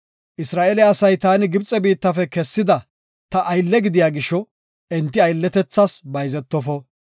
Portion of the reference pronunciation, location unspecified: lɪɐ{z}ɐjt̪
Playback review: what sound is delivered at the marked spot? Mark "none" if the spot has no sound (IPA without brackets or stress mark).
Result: s